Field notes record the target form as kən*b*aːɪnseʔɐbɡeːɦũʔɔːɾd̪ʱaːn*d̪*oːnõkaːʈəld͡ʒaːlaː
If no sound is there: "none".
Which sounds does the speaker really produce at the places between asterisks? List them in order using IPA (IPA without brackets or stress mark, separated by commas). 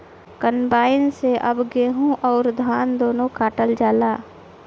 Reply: b, d̪